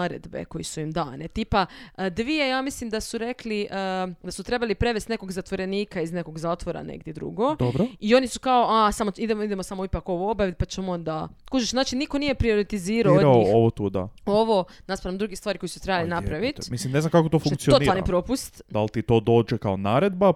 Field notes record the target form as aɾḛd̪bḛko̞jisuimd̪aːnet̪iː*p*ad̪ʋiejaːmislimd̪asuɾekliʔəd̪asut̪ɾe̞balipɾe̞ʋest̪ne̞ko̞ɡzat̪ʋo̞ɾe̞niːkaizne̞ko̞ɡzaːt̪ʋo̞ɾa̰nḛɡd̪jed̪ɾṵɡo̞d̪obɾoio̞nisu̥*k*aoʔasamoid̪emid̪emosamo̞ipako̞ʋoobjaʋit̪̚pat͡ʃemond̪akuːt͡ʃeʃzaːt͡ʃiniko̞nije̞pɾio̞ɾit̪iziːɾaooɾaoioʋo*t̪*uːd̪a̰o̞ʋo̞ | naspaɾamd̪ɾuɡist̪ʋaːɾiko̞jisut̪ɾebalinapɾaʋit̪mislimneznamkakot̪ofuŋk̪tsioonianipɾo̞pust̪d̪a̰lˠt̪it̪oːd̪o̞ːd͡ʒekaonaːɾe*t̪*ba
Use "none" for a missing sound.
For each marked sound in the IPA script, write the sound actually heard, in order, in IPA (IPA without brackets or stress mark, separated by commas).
p, k, t̪, d̪